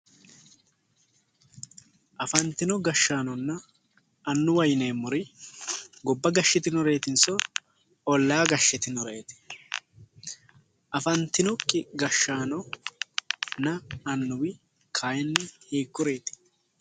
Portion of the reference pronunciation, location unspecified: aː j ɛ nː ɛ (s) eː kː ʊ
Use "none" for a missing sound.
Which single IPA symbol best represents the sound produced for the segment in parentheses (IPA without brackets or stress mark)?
h